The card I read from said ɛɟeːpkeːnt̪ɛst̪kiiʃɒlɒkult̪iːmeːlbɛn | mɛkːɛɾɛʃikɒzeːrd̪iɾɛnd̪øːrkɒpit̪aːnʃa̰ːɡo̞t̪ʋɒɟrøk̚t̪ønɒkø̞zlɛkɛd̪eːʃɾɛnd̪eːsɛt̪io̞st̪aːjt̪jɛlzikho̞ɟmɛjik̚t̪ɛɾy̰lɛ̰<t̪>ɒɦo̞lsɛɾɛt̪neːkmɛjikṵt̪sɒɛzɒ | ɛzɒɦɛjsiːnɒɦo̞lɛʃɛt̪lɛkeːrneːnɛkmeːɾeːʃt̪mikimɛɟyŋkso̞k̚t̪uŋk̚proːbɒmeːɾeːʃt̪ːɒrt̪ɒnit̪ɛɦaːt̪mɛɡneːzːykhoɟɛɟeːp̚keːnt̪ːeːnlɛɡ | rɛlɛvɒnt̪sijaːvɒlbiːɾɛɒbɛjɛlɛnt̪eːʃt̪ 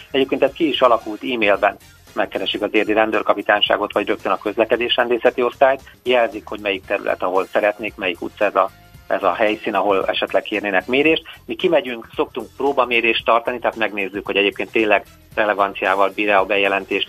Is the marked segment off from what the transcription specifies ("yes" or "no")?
no